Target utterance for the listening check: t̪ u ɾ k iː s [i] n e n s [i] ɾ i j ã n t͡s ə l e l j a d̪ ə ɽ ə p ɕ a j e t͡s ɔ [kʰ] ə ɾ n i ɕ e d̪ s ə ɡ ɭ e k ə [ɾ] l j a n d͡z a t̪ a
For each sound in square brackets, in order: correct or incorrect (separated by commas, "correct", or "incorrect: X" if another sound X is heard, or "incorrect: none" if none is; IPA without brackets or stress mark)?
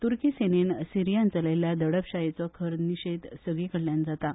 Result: incorrect: e, correct, correct, incorrect: ɽ